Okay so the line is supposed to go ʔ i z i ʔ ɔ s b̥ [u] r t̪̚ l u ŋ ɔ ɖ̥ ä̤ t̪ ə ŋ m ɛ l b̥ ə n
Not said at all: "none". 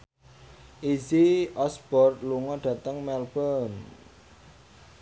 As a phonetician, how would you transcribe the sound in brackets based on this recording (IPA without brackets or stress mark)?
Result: ɔ